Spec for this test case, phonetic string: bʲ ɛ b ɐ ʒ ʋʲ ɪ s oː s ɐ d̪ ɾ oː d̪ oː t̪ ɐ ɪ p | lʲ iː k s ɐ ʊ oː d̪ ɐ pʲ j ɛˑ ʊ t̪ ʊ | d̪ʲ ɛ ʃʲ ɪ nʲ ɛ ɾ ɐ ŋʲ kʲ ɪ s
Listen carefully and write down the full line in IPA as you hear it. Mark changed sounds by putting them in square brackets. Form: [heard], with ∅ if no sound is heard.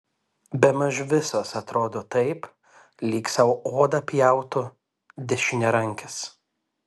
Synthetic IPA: bʲ ɛ [m] ɐ ʒ ʋʲ ɪ s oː s ɐ [t̪] ɾ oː d̪ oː t̪ ɐ ɪ p | lʲ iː k s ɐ ʊ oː d̪ ɐ pʲ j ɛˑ ʊ t̪ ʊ | d̪ʲ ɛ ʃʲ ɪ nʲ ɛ ɾ ɐ ŋʲ kʲ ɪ s